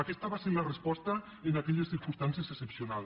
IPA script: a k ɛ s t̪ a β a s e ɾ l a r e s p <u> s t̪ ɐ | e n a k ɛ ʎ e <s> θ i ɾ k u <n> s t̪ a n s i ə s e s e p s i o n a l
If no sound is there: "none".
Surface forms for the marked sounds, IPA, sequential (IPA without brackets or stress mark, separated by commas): ɔ, s, n